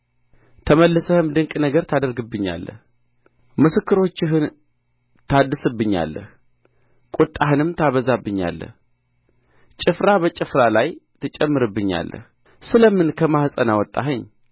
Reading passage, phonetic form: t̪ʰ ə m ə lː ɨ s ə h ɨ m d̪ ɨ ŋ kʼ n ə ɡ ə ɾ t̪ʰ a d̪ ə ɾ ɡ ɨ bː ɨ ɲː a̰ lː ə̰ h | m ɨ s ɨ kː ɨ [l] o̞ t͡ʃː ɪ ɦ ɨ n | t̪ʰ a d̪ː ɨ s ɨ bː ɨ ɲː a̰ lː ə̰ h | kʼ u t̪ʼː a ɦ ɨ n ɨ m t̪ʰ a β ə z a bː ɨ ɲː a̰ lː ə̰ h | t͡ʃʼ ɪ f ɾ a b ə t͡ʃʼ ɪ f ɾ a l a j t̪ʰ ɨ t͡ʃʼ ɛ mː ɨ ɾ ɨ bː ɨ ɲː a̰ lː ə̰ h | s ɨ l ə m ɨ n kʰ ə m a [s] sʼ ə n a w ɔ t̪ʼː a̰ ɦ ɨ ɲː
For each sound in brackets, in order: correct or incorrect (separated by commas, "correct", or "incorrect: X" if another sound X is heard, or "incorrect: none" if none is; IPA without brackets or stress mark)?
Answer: incorrect: ɾ, incorrect: h